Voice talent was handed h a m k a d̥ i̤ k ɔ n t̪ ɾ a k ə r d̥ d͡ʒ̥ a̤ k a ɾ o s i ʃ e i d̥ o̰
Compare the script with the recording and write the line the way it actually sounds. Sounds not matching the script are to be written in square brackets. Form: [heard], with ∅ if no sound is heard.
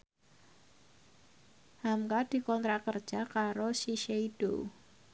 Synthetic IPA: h a m k a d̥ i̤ k ɔ n t̪ ɾ a k ə r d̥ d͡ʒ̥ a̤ k a ɾ o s i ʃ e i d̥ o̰